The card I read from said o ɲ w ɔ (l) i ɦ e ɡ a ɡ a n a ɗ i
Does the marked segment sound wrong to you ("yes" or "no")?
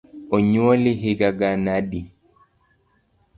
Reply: no